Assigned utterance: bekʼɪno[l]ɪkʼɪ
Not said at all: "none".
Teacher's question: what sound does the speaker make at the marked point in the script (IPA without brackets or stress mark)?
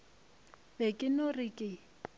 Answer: r